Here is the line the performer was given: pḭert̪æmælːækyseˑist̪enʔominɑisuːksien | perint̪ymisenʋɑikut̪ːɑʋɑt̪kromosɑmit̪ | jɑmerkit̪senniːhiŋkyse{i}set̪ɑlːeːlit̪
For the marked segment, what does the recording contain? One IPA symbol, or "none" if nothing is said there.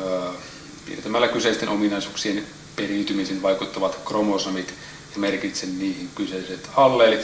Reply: i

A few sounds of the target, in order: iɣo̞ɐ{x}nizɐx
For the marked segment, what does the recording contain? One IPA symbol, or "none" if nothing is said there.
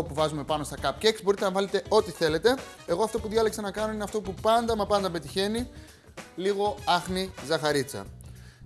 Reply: x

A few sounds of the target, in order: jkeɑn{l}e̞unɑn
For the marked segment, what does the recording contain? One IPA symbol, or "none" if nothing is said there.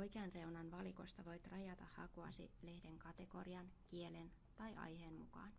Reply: r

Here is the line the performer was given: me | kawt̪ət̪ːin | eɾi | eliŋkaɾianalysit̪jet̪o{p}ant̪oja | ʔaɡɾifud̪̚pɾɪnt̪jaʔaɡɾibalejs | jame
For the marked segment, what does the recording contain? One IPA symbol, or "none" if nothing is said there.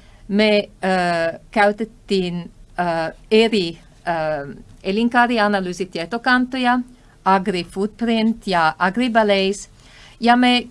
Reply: k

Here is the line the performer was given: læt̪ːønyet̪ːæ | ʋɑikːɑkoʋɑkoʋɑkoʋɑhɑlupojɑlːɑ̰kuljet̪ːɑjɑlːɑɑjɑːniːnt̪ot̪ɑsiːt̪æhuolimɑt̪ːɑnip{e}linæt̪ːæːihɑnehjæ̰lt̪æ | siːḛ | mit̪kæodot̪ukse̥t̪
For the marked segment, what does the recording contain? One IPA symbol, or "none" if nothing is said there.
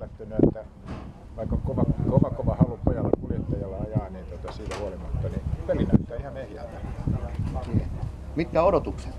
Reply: e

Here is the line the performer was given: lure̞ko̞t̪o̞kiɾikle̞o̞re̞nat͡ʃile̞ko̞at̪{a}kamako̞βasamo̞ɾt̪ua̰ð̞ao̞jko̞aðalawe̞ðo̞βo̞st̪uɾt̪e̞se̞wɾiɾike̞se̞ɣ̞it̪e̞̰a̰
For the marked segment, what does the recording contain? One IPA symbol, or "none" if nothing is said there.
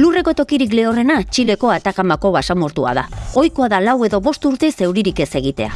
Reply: a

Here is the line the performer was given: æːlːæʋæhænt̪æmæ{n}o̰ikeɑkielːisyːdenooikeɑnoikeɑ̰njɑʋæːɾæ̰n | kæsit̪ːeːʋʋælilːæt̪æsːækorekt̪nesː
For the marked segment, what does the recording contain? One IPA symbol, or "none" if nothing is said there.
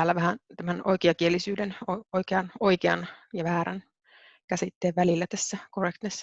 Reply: n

